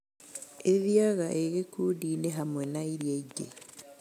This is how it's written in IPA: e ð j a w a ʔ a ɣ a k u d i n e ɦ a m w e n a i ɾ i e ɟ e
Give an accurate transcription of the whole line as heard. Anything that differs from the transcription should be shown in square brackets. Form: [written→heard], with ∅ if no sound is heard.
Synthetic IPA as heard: e ð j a [w→ɣ] a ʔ [a→e] ɣ [a→e] k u d i n e ɦ a m w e n a i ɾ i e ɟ e